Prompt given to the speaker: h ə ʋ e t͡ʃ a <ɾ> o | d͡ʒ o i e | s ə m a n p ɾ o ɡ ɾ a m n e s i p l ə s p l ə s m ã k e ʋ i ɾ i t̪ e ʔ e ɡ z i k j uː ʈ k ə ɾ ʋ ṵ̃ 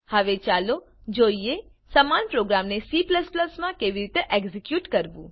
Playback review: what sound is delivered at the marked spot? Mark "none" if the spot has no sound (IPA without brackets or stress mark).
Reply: l